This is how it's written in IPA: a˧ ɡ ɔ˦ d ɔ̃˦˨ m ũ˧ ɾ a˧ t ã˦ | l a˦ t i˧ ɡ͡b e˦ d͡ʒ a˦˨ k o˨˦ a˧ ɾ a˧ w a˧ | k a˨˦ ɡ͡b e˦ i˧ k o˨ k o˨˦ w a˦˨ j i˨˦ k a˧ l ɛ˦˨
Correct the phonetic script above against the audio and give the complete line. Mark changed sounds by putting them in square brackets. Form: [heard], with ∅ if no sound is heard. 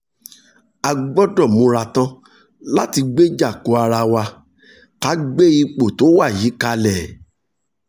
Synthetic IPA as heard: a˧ [ɡ͡b] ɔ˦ d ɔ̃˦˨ m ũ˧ ɾ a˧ t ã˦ | l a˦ t i˧ ɡ͡b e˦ d͡ʒ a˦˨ k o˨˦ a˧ ɾ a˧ w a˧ | k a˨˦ ɡ͡b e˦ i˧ [k͡p] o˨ [t] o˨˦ w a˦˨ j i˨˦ k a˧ l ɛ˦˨